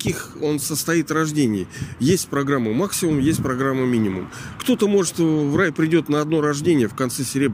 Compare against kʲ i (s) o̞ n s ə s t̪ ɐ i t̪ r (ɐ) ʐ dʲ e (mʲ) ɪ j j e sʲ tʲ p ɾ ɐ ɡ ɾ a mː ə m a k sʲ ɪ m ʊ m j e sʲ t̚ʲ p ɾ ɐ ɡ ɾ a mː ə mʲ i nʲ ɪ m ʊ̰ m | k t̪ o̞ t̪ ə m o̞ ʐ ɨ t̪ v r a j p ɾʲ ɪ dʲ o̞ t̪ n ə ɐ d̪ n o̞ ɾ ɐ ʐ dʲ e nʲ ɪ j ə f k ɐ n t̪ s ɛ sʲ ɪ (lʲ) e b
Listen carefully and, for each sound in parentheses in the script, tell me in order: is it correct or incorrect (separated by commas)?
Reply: incorrect, correct, incorrect, incorrect